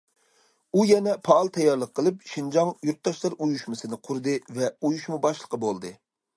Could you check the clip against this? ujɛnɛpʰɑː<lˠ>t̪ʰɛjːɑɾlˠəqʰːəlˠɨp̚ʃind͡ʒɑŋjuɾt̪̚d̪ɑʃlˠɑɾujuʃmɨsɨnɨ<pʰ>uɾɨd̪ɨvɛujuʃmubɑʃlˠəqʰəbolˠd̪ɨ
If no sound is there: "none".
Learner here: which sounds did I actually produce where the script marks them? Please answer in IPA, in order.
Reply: lˠ, qʰ

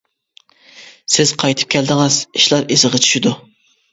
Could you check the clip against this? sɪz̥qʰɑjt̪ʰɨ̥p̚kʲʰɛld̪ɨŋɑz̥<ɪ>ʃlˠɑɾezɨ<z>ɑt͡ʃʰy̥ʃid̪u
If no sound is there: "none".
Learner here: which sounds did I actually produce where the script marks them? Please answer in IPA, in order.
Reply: i, ʁ

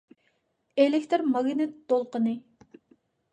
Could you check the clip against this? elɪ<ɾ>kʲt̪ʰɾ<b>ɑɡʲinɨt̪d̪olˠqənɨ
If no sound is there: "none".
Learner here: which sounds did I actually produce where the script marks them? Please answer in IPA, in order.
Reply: none, m

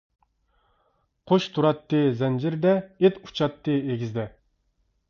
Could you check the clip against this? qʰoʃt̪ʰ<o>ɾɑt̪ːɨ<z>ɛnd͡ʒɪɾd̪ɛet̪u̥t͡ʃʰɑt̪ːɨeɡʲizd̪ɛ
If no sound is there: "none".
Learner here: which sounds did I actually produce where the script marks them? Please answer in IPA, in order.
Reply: u, z

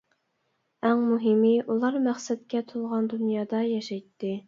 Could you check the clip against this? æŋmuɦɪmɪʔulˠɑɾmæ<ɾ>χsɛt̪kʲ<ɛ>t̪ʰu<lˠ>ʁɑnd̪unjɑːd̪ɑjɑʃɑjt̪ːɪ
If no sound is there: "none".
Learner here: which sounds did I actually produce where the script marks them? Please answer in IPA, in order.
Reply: none, ɛ, lˠ

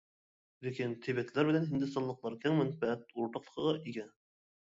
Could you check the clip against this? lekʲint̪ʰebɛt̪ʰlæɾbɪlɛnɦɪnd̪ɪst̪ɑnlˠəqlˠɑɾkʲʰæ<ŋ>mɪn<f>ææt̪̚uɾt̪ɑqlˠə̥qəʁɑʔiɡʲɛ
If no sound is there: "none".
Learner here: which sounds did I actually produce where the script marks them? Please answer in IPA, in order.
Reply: ŋ, f

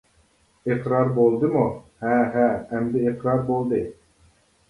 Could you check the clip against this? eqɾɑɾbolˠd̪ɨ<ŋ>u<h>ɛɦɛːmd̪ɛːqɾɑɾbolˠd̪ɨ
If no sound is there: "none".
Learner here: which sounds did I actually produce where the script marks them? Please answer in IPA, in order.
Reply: m, h

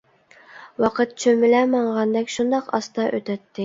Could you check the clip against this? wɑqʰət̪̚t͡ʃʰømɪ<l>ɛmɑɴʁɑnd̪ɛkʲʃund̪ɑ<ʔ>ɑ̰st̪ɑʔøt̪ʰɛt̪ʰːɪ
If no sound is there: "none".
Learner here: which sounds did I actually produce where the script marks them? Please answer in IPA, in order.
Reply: l, q

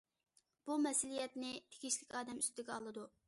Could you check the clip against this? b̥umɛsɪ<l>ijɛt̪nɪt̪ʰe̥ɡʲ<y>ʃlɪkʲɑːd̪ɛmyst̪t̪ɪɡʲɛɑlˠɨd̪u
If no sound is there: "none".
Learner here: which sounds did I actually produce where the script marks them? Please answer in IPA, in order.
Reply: l, i

